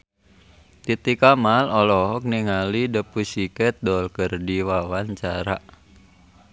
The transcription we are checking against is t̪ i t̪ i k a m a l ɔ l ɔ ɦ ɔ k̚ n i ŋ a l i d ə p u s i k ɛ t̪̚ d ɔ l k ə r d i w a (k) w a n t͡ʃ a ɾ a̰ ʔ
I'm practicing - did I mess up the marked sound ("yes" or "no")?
yes